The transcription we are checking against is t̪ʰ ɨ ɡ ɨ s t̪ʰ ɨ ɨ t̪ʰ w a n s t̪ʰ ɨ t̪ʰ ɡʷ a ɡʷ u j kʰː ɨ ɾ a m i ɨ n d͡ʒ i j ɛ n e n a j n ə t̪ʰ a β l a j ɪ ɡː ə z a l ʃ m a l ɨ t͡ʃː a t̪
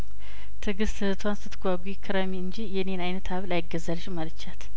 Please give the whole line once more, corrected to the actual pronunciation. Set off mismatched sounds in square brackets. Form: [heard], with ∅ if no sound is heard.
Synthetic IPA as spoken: t̪ʰ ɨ ɡ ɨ s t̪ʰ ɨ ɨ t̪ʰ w a n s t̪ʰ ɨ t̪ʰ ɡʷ a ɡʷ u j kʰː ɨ ɾ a m i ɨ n d͡ʒ i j ɛ n e n a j n ə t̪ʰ a β l a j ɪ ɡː ə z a l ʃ m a l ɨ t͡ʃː a t̪